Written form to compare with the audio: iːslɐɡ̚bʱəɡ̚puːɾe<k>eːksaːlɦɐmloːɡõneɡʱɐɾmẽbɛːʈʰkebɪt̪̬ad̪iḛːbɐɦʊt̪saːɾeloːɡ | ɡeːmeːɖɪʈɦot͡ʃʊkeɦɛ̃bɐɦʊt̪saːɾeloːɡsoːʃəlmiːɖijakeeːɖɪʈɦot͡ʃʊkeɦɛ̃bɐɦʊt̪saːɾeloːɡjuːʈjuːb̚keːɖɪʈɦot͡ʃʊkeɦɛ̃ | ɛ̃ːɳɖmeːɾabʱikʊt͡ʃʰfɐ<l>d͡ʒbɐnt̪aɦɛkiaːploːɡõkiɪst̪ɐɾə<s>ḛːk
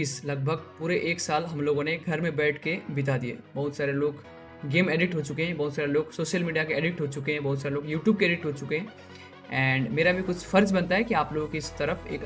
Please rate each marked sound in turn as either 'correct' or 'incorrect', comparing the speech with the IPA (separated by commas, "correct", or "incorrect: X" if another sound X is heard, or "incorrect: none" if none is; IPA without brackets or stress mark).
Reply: incorrect: ʔ, incorrect: ɾ, incorrect: f